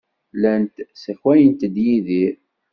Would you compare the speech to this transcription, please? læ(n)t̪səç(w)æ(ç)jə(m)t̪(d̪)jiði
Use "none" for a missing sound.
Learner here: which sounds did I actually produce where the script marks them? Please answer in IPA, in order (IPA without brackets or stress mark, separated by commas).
n, w, none, n, d̪